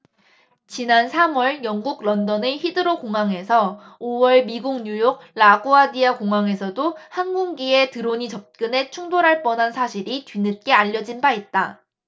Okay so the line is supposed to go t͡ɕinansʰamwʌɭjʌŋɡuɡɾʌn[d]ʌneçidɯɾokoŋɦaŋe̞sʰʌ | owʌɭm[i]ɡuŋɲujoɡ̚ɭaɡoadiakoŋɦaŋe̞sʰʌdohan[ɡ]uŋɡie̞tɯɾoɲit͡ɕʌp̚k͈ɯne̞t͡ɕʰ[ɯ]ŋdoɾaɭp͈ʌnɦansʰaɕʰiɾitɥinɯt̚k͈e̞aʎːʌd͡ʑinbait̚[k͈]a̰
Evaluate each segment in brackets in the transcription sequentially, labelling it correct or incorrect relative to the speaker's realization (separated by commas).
correct, correct, correct, incorrect, incorrect